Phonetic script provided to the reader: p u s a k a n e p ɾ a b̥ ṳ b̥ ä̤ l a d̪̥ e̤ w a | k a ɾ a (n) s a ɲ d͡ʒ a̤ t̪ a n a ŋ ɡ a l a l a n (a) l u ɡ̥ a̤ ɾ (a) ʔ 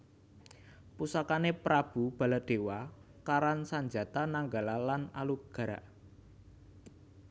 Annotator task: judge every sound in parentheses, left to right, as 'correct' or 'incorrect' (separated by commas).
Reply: correct, correct, correct